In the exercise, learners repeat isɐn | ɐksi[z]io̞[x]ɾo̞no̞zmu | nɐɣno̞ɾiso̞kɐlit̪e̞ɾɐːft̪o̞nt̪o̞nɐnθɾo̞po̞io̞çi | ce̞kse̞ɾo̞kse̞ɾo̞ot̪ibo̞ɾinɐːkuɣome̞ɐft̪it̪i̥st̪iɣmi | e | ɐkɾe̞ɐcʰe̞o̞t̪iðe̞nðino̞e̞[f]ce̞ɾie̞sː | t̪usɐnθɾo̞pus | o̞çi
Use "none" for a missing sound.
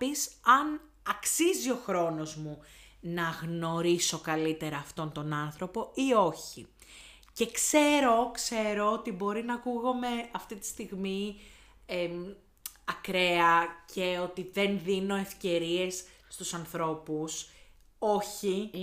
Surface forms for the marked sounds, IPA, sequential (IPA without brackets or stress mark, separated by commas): z, x, f